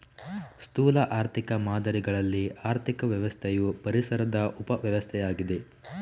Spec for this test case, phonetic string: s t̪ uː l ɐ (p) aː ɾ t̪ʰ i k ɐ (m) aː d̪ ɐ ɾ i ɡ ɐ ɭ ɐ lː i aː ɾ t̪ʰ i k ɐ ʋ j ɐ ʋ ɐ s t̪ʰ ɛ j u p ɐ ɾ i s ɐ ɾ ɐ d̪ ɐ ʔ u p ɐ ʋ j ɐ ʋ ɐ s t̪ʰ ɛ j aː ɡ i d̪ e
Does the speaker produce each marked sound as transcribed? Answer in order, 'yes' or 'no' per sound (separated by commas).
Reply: no, yes